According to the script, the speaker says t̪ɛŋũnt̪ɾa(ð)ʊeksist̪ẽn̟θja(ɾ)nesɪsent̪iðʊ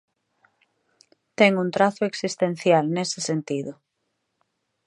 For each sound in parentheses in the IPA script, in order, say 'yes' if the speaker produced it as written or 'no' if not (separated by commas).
no, no